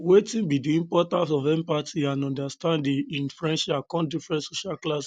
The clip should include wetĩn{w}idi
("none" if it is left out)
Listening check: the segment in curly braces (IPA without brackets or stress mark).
b